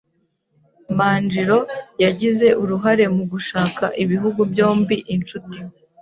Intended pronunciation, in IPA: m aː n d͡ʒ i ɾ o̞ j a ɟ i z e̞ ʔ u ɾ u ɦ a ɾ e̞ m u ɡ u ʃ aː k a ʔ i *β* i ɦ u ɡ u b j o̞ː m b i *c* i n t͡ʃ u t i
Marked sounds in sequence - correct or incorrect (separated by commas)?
correct, incorrect